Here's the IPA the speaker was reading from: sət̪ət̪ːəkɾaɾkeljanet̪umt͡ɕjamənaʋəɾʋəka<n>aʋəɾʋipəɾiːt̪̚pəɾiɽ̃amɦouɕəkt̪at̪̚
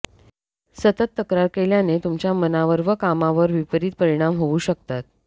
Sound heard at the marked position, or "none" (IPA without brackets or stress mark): m